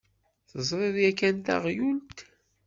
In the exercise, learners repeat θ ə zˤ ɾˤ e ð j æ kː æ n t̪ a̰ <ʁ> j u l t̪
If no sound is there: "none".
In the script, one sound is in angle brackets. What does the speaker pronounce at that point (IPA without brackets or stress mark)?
ʁ